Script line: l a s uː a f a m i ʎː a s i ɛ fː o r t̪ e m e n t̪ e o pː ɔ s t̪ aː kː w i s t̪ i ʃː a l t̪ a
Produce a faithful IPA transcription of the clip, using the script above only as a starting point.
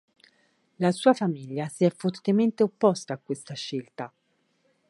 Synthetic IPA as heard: l a s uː a f a m i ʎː a s i ɛ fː o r t̪ e m e n t̪ e o pː ɔ s t̪ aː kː w e s t̪ a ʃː e l t̪ a